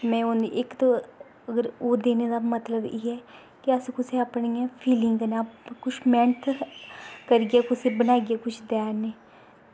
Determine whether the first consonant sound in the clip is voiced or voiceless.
voiced